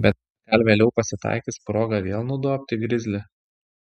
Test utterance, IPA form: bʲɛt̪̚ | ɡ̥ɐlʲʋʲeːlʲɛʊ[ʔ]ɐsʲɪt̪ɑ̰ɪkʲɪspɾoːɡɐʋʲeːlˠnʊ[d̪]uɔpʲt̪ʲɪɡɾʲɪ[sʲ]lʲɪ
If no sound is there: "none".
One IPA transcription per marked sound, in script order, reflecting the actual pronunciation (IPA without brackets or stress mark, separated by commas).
p, d̪, zʲ